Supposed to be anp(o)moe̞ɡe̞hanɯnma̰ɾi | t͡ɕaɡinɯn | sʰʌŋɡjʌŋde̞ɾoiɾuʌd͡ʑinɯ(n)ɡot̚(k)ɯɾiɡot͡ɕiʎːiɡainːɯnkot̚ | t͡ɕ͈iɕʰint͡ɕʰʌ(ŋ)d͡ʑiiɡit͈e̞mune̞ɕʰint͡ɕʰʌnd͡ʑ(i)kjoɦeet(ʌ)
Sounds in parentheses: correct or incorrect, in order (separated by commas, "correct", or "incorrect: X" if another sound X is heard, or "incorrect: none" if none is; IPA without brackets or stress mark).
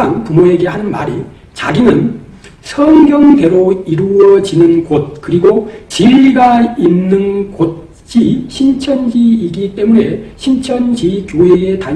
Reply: incorrect: u, correct, correct, incorrect: n, correct, incorrect: a